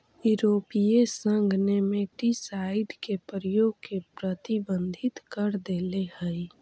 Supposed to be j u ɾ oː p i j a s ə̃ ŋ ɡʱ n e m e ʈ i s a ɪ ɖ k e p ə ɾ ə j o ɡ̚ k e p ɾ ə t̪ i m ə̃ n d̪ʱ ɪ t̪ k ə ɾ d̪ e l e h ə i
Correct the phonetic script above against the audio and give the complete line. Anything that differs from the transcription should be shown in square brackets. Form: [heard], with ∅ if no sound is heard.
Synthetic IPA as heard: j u ɾ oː p i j [e] s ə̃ ŋ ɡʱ n e m e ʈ i s a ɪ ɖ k e p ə ɾ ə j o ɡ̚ k e p ɾ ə t̪ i [b] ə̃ n d̪ʱ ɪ t̪ k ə ɾ d̪ e l e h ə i